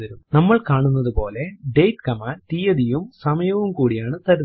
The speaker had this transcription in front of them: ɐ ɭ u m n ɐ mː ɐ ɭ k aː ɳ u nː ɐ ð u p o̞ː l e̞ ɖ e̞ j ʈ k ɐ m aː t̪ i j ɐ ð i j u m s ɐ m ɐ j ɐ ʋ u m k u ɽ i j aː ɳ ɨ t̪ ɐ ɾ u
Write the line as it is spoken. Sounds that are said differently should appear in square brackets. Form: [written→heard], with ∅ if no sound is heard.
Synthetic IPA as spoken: ɐ [ɭ→ɾ] u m n ɐ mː ɐ ɭ k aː ɳ u nː ɐ ð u p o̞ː l e̞ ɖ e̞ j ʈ k ɐ m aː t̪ i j ɐ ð i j u m s ɐ m ɐ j ɐ ʋ u m k [u→uː] ɽ i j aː ɳ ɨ t̪ ɐ ɾ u